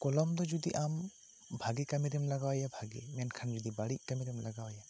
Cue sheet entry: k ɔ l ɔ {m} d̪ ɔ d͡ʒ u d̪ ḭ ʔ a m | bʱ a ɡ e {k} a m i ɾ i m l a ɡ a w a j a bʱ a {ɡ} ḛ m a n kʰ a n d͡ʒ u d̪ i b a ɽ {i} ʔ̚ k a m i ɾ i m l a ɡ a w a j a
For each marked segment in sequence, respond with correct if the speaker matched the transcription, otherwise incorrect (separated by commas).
correct, correct, correct, correct